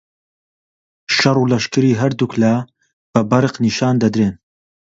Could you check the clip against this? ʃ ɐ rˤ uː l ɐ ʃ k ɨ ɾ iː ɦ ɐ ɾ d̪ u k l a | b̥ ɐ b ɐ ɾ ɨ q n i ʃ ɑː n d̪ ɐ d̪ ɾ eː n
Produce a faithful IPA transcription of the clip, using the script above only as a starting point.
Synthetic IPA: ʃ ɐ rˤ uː l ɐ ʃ k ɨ ɾ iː ɦ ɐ ɾ d̪ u k l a | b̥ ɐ b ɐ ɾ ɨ q n i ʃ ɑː n d̪ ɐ d̪ ɾ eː n